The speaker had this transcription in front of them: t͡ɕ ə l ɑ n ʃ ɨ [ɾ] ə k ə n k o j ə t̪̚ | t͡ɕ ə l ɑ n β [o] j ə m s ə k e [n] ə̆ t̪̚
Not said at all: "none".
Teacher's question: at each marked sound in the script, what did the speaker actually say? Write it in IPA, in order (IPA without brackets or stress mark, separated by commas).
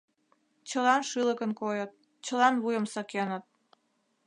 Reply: l, u, n